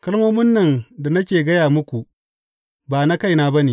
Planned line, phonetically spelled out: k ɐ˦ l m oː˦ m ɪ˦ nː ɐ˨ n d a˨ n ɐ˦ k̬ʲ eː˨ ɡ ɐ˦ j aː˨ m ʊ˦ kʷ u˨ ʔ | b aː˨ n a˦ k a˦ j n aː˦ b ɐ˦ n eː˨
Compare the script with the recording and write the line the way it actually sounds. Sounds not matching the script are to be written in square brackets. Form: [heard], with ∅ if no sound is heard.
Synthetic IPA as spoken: k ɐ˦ l m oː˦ m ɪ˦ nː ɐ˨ n d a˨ n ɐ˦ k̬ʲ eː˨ ɡ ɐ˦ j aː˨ m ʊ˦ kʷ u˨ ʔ | b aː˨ n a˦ k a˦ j n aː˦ b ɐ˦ n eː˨

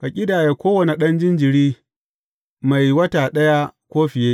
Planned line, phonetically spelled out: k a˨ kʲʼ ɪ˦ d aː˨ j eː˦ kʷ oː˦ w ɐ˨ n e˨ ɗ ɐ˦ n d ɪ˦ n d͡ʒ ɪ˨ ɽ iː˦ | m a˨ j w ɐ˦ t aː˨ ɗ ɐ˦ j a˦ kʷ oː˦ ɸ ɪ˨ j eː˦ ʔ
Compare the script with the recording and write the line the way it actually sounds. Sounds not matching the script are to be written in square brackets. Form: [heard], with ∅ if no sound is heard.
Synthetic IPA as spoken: k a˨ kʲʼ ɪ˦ d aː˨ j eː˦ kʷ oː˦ w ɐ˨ n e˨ ɗ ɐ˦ n [d͡ʒ] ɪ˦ n d͡ʒ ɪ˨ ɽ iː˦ | m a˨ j w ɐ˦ t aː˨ ɗ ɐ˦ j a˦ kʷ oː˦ ɸ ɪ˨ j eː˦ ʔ

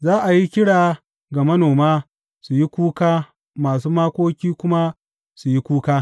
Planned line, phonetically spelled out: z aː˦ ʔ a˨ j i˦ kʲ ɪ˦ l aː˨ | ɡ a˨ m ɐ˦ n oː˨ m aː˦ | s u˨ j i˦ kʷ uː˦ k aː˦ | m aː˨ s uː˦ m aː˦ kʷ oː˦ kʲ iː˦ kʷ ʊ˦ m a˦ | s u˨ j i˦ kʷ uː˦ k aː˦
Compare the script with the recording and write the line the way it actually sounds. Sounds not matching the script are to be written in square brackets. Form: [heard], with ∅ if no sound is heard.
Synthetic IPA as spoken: z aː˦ ʔ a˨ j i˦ kʲ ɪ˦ [ɽ] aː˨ | ɡ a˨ m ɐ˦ n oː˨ m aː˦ | s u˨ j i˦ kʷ uː˦ k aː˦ | m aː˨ s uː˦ m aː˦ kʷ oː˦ kʲ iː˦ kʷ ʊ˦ m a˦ | s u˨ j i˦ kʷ uː˦ k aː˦

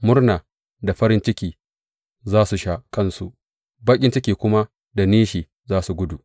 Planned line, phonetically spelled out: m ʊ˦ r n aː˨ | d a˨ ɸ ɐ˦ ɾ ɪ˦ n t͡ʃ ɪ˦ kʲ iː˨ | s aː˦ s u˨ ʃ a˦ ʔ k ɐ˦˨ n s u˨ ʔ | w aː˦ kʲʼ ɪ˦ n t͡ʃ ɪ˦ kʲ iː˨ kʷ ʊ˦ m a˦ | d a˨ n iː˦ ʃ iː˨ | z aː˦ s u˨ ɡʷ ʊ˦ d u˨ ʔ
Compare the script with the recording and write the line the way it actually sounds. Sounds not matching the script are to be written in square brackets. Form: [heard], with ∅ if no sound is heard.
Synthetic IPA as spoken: m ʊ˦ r n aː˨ | d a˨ ɸ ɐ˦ ɾ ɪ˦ n t͡ʃ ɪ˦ kʲ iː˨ | [z] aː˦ s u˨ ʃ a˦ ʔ k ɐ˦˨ n s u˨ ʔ | [b] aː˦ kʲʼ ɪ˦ n t͡ʃ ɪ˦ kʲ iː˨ kʷ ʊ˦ m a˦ | d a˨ n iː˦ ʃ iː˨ | z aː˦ s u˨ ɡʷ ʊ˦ d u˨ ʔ

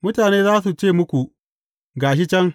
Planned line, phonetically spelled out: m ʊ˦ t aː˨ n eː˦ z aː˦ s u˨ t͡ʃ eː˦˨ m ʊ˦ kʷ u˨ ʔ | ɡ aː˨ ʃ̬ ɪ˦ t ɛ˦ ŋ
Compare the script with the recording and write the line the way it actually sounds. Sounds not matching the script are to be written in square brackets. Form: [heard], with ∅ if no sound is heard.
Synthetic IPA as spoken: m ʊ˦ t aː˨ n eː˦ z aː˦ s u˨ t͡ʃ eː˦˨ m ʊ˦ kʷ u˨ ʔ | ɡ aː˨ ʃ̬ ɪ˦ [t͡ʃ] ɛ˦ ŋ

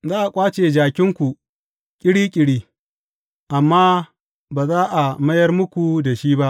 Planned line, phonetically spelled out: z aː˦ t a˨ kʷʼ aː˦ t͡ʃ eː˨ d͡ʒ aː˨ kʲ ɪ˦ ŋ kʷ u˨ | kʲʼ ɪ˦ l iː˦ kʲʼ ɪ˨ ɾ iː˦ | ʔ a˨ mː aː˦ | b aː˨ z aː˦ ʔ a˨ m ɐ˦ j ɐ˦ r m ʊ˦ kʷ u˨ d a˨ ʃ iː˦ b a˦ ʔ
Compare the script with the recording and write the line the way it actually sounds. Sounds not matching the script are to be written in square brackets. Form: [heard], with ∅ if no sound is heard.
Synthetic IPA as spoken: z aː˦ [ʔ] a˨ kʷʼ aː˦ t͡ʃ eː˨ d͡ʒ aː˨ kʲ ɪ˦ ŋ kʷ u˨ | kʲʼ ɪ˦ [ɽ] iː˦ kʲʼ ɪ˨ [ɽ] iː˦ | ʔ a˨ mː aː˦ | b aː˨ z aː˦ ʔ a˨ m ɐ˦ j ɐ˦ r m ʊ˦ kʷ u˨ d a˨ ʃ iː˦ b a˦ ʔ

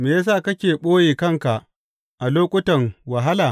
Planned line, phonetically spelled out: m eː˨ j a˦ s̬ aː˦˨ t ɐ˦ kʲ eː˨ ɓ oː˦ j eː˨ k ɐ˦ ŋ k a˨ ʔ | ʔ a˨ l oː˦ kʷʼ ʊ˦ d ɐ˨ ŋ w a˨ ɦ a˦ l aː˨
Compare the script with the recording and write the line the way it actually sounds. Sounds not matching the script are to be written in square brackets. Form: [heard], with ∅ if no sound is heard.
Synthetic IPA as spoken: m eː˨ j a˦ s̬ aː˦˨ [k] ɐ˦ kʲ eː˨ ɓ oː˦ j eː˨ k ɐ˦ ŋ k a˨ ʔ | ʔ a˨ l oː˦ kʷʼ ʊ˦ [t] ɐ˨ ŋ w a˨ ɦ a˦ l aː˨

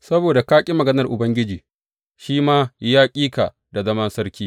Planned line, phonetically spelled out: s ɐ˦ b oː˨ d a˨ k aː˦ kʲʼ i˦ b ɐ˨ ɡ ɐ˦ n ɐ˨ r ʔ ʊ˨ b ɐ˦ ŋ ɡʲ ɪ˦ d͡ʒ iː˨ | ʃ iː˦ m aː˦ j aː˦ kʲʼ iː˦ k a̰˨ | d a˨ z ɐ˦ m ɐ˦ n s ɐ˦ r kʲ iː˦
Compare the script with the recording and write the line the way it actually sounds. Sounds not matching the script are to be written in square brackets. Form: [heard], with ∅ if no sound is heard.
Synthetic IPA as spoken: s ɐ˦ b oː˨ d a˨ k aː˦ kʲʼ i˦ [m] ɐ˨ ɡ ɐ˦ n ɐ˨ r ʔ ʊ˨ b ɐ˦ ŋ ɡʲ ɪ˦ d͡ʒ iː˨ | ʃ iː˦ m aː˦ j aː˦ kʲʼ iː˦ k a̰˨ | d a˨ z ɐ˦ m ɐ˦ n s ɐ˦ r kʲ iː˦

